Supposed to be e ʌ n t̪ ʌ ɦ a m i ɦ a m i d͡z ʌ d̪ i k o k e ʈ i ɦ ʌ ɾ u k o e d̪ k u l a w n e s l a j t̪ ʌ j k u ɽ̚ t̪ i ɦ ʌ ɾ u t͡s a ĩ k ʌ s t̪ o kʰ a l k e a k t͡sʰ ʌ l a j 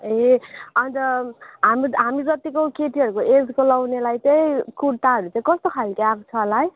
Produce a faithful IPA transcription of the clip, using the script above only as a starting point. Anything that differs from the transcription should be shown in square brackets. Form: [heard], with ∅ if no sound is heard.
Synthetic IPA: e ʌ n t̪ ʌ ɦ a m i ɦ a m i d͡z ʌ [t̪] i k o k e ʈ i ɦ ʌ ɾ u k o e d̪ k [o] l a w n e [∅] l a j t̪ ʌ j k u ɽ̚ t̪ [a] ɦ ʌ ɾ u t͡s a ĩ k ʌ s t̪ o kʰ a l k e a k t͡sʰ ʌ l a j